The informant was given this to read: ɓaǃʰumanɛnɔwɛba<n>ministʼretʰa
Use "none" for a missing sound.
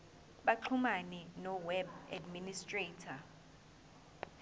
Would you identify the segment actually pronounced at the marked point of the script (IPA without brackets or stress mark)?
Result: d